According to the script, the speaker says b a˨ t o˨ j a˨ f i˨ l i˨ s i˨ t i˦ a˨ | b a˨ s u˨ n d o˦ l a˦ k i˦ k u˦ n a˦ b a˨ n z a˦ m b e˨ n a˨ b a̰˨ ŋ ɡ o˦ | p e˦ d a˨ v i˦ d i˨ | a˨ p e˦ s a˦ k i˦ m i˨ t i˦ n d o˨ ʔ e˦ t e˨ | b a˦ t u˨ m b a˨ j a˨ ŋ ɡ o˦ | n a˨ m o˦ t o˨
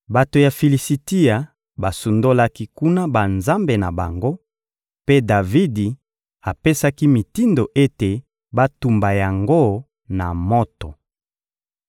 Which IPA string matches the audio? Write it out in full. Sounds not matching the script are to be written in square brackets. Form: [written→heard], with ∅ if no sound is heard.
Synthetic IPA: b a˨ t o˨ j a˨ f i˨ l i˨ s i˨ t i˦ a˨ | b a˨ s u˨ n d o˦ l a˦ k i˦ k u˦ n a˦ b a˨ n z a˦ m b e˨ n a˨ b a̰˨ ŋ ɡ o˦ | p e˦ d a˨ v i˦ d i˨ | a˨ p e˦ s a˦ k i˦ m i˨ t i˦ n d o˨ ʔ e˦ t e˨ | b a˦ t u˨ m b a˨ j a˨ ŋ ɡ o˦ | n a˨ m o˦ t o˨